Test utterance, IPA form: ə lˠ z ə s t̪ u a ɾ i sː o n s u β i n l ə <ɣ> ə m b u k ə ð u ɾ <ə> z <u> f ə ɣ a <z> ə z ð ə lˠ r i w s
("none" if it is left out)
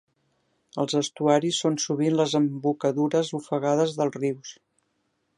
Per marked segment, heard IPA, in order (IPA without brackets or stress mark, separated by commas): z, ə, u, ð